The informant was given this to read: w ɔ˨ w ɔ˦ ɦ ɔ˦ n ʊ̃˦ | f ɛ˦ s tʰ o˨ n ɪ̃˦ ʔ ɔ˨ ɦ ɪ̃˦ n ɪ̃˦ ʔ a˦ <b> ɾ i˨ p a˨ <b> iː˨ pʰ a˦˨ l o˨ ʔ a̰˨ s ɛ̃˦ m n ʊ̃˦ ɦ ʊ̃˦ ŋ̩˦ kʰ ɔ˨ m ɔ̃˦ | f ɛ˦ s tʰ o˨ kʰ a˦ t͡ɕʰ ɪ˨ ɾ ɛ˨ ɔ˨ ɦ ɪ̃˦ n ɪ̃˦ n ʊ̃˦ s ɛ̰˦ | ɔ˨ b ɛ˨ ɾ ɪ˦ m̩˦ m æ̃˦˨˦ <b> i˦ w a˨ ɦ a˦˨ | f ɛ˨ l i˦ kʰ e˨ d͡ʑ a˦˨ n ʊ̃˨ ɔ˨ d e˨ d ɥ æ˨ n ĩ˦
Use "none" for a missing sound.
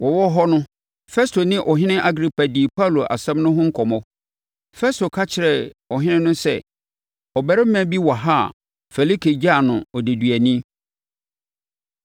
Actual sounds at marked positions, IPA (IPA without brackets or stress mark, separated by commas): ɡ, d, b